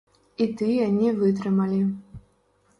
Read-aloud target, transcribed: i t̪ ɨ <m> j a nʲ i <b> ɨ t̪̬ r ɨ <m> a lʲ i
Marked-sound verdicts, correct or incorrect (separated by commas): incorrect, incorrect, correct